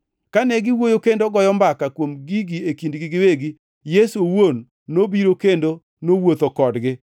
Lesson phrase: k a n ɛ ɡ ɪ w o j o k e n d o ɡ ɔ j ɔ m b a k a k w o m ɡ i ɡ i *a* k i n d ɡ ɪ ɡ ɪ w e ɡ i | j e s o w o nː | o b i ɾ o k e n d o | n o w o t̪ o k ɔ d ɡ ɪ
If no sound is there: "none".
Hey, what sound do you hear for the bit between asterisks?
e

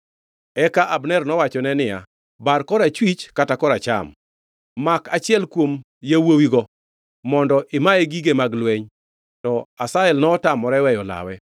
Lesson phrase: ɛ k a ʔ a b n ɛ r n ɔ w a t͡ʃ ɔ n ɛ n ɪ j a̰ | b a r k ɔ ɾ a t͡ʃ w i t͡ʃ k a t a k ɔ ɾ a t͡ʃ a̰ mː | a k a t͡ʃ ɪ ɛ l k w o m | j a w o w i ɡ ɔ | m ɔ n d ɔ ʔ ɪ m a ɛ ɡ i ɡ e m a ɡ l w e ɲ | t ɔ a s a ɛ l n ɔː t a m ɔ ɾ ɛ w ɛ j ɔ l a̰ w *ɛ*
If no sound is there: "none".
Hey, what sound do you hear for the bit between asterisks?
ɛ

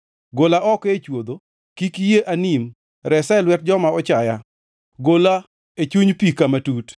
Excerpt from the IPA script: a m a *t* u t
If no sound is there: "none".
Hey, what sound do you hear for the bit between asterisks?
t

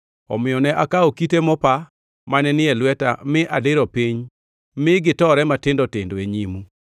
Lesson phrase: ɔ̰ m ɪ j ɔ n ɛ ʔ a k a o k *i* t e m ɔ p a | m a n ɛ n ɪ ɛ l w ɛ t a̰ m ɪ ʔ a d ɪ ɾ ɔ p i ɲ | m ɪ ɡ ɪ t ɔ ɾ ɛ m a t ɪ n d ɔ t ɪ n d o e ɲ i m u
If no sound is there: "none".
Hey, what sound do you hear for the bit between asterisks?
i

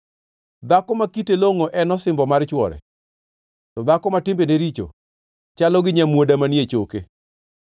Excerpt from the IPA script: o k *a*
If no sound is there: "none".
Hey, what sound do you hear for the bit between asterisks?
e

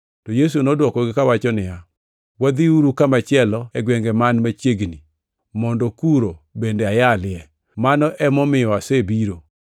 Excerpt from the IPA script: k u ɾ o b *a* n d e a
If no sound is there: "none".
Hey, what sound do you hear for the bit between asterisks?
e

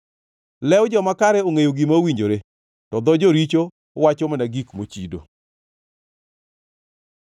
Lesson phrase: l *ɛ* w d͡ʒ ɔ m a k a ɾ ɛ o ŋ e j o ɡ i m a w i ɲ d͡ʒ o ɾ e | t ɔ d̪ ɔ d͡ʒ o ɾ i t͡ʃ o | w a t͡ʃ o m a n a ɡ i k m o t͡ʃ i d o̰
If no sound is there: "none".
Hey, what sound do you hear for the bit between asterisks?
ɛ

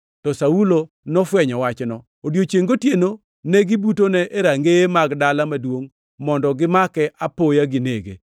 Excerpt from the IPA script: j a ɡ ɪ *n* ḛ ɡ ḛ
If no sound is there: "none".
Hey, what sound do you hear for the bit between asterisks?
n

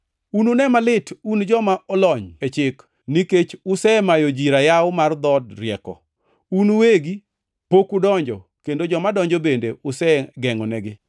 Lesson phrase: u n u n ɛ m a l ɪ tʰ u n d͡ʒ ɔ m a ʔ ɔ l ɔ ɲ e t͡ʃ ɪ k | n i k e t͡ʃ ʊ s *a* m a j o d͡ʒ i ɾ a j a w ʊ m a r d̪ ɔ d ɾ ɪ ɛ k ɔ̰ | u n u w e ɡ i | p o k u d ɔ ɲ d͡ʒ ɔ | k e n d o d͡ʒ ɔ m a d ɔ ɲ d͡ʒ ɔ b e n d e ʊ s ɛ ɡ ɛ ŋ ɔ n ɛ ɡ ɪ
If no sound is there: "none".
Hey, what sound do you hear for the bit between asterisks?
ɛ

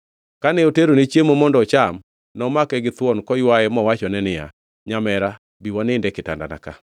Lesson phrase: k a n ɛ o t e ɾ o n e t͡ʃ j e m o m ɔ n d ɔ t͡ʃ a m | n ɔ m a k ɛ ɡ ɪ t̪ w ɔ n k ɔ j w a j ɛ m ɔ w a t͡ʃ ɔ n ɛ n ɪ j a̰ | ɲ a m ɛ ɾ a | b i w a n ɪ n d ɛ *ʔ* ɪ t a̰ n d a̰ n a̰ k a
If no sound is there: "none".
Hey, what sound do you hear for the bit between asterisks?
k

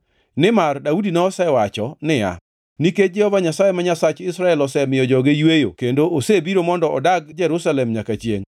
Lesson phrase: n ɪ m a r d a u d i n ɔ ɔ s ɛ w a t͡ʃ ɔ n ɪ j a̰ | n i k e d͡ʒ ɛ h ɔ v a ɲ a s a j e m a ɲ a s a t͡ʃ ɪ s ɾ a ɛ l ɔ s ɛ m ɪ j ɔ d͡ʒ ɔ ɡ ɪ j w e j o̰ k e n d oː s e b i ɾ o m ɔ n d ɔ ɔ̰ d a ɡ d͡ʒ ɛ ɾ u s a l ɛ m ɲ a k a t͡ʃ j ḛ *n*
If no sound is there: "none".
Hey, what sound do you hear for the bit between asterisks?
ŋ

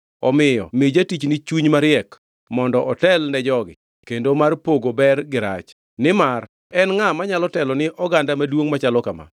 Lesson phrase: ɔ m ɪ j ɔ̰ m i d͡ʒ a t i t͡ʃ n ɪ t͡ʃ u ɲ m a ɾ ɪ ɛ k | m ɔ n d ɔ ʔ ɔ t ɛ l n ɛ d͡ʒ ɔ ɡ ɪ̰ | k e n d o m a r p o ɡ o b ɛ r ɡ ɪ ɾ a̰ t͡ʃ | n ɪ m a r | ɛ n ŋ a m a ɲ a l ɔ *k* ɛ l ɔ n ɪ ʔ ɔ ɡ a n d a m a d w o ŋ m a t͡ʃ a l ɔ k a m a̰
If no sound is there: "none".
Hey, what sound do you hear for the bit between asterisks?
t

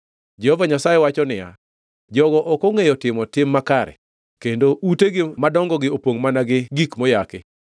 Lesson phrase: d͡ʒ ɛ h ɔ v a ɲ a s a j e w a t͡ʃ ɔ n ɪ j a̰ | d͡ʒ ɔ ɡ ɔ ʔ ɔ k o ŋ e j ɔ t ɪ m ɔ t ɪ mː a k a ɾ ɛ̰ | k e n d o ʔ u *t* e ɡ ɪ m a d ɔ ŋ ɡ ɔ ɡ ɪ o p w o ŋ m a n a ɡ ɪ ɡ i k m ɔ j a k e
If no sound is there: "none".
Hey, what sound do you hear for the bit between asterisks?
t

